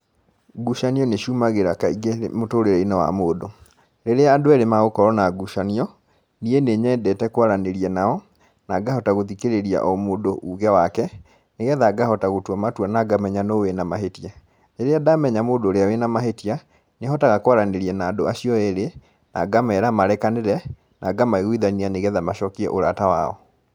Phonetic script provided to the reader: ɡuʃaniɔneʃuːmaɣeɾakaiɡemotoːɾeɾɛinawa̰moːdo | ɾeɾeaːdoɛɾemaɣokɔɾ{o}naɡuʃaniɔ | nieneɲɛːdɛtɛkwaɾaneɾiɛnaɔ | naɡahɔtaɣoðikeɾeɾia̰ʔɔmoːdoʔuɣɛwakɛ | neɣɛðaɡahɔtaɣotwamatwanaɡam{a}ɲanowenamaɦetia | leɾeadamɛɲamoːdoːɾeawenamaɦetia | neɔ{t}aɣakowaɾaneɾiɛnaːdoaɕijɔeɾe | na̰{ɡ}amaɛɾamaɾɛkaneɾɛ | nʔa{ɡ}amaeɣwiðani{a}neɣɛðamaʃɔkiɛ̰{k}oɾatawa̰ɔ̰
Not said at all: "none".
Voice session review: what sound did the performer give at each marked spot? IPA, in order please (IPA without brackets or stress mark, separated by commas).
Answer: ɔ, ɛ, t, ɡ, ɡ, a, ʔ